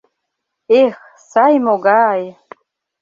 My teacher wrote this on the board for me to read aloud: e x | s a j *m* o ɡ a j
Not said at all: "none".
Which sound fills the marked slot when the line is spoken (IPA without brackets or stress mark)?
m